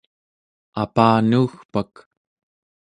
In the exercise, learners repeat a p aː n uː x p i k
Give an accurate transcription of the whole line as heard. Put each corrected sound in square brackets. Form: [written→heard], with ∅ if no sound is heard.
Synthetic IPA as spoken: a p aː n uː x p [i→a] k